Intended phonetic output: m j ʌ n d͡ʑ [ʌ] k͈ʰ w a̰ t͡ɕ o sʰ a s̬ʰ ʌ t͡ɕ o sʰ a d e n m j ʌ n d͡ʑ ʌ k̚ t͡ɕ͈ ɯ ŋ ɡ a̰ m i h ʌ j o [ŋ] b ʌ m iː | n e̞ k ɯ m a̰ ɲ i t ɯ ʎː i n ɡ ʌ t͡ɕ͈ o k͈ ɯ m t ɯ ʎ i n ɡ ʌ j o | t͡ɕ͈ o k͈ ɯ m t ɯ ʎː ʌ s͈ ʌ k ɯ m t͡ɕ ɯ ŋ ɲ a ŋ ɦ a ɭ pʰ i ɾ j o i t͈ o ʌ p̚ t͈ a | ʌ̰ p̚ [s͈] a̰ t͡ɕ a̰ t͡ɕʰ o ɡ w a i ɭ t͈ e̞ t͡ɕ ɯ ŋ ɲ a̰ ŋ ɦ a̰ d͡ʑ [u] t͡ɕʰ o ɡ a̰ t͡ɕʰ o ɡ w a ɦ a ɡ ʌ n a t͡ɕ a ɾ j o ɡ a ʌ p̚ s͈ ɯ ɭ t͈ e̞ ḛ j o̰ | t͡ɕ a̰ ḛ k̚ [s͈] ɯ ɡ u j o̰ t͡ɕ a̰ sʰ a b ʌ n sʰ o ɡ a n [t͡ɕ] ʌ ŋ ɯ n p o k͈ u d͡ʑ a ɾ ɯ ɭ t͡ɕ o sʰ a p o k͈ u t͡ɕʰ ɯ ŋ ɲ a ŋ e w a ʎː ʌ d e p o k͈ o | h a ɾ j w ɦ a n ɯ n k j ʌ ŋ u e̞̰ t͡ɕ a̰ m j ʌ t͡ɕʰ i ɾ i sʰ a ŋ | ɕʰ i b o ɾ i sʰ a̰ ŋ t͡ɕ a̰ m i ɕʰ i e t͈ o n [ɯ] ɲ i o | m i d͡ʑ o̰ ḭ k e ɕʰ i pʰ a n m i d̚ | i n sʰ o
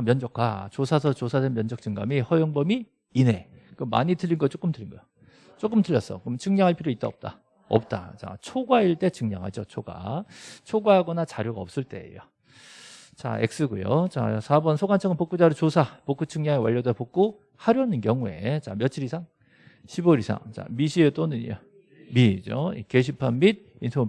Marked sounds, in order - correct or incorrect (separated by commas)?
correct, correct, incorrect, incorrect, correct, incorrect, correct